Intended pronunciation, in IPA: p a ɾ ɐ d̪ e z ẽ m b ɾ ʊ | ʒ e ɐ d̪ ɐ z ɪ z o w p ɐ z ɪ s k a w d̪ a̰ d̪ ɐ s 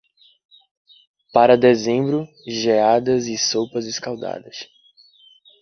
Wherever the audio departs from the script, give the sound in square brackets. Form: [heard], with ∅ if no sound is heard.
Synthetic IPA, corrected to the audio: p a ɾ ɐ d̪ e z ẽ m b ɾ ʊ | ʒ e [a] d̪ ɐ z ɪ [s] o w p ɐ z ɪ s k a w d̪ a̰ d̪ ɐ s